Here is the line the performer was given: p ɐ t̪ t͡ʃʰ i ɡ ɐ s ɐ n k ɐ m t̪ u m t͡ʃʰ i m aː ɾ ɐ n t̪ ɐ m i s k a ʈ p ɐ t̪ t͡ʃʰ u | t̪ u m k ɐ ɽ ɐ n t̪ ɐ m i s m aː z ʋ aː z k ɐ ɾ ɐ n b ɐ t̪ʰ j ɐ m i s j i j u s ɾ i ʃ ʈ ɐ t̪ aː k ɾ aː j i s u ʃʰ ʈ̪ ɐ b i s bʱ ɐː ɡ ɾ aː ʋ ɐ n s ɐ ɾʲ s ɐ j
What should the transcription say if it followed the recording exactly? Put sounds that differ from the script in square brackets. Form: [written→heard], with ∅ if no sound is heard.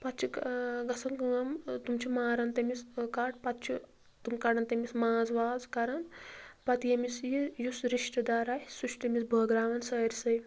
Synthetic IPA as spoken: p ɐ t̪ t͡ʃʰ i ɡ ɐ s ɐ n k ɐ m t̪ u m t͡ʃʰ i m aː ɾ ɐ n t̪ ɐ m i s k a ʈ p ɐ t̪ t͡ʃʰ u | t̪ u m k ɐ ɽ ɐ n t̪ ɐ m i s m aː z ʋ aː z k ɐ ɾ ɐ n [b→p] ɐ [t̪ʰ→t̪] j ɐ m i s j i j u s ɾ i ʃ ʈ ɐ [t̪→d̪] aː [k→∅] ɾ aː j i s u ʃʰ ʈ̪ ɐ [b→m] i s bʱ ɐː ɡ ɾ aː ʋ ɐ n s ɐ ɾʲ s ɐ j

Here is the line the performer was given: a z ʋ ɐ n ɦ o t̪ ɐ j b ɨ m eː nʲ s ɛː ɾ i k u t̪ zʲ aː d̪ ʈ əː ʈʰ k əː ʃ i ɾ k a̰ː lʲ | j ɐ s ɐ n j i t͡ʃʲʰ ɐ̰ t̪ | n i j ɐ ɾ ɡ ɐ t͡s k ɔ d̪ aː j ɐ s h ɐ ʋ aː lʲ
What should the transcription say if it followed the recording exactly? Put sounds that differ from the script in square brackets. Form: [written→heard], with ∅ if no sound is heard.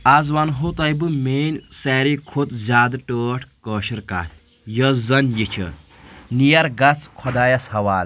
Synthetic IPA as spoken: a z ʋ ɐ n ɦ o t̪ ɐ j b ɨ m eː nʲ s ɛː ɾ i [k→kʰ] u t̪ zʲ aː d̪ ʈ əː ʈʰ k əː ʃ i ɾ k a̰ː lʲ | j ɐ [s→z] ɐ n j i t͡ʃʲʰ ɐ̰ [t̪→∅] | n i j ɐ ɾ ɡ ɐ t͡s [k→kʰ] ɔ d̪ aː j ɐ s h ɐ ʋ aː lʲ

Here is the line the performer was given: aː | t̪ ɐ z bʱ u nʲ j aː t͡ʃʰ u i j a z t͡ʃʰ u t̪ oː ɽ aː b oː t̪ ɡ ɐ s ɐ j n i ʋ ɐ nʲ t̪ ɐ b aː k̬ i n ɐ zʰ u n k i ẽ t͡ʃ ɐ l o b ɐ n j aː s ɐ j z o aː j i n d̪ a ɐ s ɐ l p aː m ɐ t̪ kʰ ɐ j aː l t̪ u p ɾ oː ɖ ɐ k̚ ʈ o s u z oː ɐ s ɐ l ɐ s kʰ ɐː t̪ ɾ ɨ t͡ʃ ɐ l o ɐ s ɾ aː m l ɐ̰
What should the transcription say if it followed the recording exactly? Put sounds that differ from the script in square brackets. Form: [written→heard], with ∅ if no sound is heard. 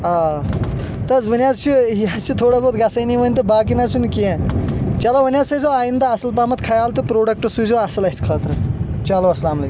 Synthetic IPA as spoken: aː | t̪ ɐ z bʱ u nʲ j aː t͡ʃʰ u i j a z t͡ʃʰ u [t̪→t̪ʰ] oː ɽ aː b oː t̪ ɡ ɐ s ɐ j n i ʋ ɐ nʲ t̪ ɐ b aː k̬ i n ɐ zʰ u n k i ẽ t͡ʃ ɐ l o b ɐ n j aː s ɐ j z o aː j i n d̪ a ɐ s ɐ l p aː m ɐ t̪ kʰ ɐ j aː l t̪ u p ɾ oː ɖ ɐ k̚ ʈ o s u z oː ɐ s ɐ l ɐ s kʰ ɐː t̪ ɾ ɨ t͡ʃ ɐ l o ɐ s [ɾ→l] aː m l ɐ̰

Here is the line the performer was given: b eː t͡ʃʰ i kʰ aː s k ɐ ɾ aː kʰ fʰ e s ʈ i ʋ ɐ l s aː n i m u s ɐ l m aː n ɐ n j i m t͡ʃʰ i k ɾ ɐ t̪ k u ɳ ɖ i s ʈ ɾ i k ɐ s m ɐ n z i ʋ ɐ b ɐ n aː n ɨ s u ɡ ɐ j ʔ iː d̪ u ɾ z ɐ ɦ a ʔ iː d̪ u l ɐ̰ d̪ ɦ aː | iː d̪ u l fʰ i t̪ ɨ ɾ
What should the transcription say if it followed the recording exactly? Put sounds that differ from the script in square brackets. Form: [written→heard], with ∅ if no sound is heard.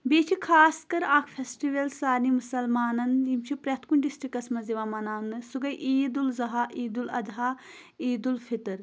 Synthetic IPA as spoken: b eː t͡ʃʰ i kʰ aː s k ɐ ɾ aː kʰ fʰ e s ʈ i ʋ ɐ l s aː n i m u s ɐ l m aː n ɐ n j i m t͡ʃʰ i [k→p] ɾ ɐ t̪ k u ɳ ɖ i s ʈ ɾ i k ɐ s m ɐ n z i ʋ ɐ [b→m] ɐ n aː n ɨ s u ɡ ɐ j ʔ iː d̪ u [ɾ→l] z ɐ ɦ a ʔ iː d̪ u l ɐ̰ d̪ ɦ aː | iː d̪ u l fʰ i t̪ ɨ ɾ

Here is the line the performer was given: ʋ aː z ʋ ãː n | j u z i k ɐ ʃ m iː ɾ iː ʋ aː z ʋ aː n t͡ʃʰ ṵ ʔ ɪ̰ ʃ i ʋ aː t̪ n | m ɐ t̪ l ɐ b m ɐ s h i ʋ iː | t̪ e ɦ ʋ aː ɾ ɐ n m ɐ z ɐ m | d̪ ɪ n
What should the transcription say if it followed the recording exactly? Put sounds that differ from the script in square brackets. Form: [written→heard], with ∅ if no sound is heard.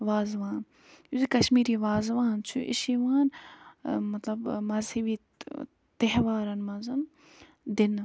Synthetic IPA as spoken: ʋ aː z ʋ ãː n | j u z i k ɐ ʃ m iː ɾ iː ʋ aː z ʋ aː n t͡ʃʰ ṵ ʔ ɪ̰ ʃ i ʋ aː [t̪→∅] n | m ɐ t̪ l ɐ b m ɐ [s→z] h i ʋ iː | t̪ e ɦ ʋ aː ɾ ɐ n m ɐ z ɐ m | d̪ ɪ n

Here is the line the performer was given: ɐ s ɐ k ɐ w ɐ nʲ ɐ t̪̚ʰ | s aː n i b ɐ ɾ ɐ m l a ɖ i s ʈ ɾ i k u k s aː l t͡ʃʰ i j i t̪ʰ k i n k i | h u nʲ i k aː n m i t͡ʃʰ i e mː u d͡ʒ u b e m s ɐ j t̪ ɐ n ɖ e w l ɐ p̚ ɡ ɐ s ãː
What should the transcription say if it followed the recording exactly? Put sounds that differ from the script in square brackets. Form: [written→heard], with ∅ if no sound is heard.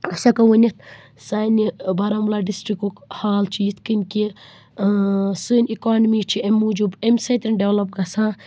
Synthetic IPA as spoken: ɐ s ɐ k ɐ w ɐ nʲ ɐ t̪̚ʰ | s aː n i b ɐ ɾ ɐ m l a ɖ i s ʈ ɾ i k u k [s→h] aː l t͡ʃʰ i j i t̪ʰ k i n k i | [h→s] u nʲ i k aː n m i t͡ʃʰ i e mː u d͡ʒ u b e m s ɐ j t̪ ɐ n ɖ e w l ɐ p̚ ɡ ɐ s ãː

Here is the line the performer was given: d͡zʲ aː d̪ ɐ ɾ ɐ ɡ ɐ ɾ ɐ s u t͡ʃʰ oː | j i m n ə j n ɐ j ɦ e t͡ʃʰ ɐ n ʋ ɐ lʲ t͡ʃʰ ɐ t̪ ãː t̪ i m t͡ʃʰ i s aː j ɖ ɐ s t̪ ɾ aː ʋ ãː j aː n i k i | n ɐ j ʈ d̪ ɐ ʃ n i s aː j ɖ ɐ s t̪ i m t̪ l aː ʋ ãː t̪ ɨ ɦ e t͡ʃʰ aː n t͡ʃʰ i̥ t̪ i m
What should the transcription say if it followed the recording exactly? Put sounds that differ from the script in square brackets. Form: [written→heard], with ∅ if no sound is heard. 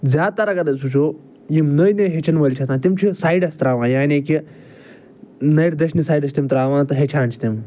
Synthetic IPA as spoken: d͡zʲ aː [d̪→t̪] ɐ ɾ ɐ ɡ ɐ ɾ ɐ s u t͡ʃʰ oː | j i m n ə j n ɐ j ɦ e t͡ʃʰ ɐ n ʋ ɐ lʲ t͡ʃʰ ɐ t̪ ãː t̪ i m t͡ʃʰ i s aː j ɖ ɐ s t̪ ɾ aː ʋ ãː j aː n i k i | n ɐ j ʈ d̪ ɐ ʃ n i s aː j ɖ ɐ s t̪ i m t̪ [l→ɾ] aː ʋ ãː t̪ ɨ ɦ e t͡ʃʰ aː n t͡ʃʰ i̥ t̪ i m

